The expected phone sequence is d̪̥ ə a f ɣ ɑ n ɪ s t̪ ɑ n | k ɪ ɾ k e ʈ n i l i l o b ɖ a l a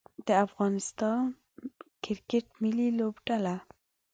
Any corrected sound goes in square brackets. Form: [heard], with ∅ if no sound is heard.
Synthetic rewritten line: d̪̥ ə a f ɣ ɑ n ɪ s t̪ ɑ n | k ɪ ɾ k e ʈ [m] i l i l o b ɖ a l a